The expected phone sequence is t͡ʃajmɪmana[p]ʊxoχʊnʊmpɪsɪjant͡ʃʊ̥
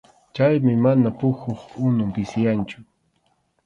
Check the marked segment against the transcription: correct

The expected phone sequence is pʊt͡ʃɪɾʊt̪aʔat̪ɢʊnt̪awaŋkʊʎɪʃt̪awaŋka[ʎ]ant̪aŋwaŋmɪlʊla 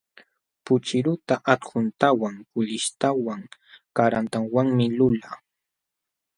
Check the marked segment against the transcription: incorrect: ɾ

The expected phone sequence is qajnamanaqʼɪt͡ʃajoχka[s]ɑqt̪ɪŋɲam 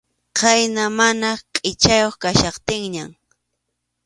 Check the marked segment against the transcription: incorrect: ʃ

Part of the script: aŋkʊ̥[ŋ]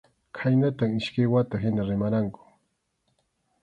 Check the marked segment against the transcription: incorrect: none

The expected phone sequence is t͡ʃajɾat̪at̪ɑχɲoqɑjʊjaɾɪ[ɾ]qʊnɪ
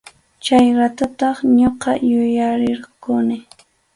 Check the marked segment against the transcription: correct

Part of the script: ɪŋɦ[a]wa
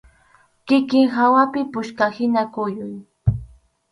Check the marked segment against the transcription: correct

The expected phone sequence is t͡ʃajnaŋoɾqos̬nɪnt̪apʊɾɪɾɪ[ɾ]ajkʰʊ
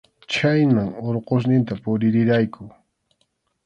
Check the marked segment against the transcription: correct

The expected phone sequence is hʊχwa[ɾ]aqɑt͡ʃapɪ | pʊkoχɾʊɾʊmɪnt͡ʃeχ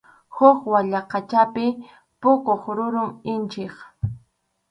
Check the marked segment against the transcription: incorrect: ʎ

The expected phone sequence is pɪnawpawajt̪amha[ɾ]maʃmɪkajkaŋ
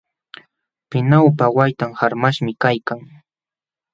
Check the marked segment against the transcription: correct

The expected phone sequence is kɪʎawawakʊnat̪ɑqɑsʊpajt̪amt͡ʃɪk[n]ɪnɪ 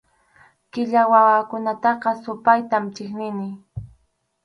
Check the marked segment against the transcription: correct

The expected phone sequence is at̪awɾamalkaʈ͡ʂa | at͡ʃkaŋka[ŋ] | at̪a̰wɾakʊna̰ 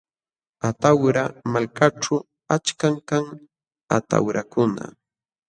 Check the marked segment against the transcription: correct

